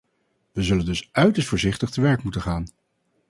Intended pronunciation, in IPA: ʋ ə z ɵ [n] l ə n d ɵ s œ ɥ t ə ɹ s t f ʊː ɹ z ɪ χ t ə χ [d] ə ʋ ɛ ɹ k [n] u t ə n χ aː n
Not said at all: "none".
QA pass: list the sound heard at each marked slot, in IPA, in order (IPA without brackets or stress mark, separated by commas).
none, t, m